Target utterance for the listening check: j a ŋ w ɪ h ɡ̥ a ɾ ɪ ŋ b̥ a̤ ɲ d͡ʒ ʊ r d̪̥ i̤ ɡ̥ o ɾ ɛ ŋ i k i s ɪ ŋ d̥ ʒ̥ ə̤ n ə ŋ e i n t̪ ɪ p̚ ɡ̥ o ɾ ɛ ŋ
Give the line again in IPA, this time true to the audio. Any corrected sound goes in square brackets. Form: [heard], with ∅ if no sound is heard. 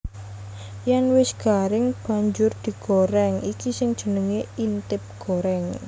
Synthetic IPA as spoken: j a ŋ w ɪ [s] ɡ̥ a ɾ ɪ ŋ b̥ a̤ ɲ d͡ʒ ʊ r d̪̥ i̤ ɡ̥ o ɾ ɛ ŋ i k i s ɪ ŋ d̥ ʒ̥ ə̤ n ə ŋ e i n t̪ ɪ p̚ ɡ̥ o ɾ ɛ ŋ